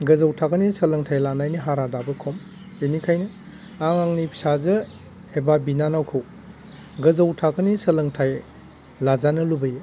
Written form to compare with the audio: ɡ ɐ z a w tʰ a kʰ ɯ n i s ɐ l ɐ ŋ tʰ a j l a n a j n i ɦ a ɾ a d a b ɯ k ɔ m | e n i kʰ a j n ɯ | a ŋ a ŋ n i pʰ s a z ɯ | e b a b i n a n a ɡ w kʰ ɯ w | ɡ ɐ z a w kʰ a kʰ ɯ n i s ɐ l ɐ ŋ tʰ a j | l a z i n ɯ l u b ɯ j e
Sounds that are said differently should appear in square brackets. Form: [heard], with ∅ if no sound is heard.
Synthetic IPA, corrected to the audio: ɡ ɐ z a w tʰ a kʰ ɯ n i s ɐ l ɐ ŋ tʰ a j l a n a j n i ɦ a ɾ a d a b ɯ [kʰ] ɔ m | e n i kʰ a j n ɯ | a ŋ a ŋ n i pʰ s a z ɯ | e b a b i n a n a [∅] w kʰ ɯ w | ɡ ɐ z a w [tʰ] a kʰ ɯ n i s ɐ l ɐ ŋ tʰ a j | l a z [a] n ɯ l u b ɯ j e